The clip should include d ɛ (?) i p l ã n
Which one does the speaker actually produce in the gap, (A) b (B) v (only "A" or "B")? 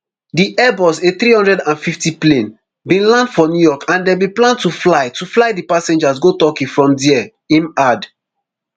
A